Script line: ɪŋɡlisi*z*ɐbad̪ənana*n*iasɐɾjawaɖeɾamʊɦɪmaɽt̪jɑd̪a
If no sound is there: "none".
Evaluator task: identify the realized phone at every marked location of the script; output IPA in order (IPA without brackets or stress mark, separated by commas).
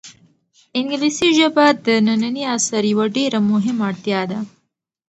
ʒ, n